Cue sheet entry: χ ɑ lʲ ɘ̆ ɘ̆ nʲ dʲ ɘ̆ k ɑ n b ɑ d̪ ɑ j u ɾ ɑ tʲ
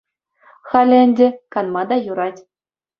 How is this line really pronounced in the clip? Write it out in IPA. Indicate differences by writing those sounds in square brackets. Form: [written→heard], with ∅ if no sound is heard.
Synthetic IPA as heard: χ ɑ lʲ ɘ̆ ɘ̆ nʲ dʲ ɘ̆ k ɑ n [b→m] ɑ d̪ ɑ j u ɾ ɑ tʲ